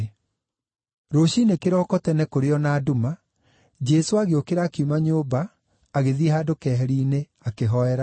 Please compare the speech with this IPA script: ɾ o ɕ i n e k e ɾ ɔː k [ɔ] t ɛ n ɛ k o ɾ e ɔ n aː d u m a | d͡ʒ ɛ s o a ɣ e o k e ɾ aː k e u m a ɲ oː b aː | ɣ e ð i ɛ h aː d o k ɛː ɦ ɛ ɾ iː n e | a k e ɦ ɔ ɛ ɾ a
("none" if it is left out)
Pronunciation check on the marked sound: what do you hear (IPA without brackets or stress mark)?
ɔ